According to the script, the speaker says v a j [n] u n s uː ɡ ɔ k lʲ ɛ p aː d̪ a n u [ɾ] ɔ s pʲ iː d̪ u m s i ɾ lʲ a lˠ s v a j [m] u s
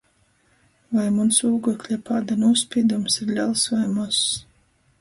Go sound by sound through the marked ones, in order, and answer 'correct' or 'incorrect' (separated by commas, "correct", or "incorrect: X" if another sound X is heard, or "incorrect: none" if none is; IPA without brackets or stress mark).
incorrect: m, incorrect: none, correct